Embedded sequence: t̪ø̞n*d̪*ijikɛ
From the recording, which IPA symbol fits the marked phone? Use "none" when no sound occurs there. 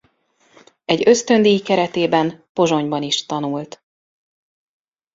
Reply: d̪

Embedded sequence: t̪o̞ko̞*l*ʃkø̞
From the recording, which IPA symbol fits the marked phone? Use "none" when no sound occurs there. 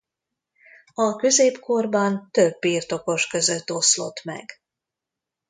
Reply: none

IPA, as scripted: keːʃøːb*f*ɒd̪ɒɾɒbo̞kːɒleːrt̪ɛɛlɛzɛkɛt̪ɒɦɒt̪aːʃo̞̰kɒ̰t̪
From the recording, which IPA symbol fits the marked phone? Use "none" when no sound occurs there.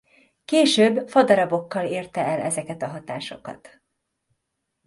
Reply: f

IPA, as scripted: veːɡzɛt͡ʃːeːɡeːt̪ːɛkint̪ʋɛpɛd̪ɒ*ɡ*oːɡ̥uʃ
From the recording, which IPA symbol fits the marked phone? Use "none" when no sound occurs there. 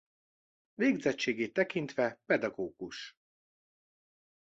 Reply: ɡ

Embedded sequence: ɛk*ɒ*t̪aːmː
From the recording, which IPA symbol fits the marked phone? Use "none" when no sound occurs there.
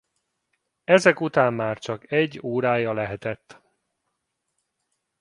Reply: u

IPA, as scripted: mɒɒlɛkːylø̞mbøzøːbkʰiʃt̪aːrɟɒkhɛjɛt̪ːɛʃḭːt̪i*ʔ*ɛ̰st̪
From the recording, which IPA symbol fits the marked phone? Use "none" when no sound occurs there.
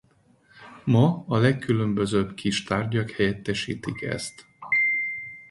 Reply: k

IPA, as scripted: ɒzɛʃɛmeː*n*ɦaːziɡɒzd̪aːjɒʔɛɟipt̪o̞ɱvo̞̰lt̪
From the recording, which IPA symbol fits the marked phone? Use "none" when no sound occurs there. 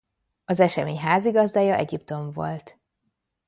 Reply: ɲ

